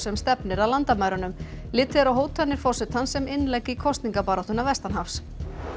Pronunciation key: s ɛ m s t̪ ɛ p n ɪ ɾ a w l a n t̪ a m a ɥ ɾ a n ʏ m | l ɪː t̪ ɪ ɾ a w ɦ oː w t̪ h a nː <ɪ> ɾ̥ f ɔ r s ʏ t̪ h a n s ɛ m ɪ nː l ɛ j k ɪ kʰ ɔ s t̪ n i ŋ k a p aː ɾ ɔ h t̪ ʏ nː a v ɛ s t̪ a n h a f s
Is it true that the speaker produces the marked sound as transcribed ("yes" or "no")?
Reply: yes